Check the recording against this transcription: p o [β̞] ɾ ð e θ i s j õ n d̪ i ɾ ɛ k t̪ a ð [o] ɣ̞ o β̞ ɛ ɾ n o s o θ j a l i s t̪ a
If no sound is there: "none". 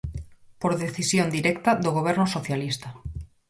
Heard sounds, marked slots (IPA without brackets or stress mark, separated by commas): none, o